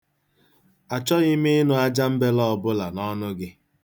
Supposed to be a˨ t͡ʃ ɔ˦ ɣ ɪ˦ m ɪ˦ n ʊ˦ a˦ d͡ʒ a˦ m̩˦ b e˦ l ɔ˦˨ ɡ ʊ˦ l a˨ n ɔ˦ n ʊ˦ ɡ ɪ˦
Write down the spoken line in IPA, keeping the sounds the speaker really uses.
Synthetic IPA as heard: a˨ t͡ʃ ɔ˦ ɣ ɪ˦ m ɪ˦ n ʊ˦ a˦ d͡ʒ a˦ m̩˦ b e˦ l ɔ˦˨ b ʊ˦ l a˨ n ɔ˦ n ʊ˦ ɡ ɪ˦